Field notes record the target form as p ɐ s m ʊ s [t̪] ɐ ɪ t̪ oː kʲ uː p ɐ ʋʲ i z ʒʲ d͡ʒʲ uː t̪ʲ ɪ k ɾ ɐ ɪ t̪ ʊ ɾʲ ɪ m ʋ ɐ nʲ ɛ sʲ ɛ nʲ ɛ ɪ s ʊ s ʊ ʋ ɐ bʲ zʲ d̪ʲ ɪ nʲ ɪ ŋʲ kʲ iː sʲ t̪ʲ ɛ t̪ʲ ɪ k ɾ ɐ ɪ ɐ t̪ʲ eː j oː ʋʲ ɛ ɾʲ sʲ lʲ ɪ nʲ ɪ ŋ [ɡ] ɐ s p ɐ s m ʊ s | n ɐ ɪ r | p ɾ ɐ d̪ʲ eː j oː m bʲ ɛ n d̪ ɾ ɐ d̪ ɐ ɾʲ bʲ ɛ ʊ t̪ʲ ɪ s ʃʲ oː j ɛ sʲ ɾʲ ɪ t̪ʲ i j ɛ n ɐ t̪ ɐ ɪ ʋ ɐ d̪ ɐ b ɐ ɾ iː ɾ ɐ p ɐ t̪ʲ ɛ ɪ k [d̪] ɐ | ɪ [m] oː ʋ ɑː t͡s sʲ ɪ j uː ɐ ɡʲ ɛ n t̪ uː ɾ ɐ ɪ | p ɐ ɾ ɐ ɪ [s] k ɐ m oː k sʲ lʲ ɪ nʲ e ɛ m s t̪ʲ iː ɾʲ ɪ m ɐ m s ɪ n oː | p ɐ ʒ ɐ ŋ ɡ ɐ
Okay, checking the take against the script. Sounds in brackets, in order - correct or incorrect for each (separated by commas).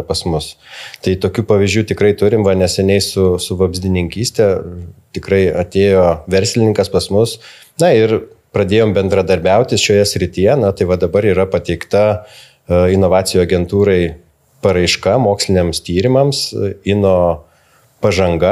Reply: correct, incorrect, incorrect, incorrect, incorrect